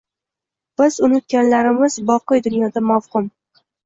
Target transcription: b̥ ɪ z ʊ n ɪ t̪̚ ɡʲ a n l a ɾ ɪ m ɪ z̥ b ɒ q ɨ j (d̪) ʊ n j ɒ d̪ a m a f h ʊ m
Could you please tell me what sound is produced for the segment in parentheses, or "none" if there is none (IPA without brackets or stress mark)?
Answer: d̪